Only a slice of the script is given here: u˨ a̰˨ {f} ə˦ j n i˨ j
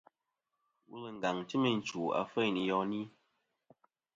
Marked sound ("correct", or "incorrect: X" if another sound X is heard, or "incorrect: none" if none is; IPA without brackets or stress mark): correct